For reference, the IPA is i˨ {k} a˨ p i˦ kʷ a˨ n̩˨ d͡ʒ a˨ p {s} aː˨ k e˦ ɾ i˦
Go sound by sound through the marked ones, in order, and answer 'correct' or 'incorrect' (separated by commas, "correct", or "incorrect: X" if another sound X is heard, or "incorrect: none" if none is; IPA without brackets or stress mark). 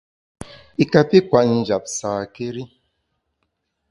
correct, correct